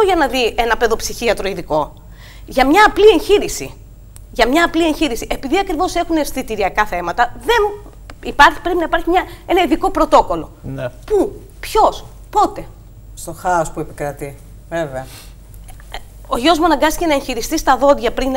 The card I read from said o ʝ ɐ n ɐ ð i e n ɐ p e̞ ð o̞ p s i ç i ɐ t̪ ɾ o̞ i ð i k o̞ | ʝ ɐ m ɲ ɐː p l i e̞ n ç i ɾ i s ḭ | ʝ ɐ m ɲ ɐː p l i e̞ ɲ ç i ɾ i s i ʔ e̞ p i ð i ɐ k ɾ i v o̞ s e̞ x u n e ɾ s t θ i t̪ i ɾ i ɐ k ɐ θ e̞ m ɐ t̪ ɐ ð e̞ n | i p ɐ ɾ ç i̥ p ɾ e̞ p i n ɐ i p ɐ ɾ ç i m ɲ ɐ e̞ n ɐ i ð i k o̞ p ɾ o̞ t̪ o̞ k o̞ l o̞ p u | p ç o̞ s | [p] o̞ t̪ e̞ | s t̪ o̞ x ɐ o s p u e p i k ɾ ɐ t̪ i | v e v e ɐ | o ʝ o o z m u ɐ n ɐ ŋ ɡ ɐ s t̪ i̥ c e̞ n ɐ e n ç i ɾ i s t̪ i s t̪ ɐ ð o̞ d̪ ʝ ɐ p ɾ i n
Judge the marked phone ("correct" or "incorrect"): correct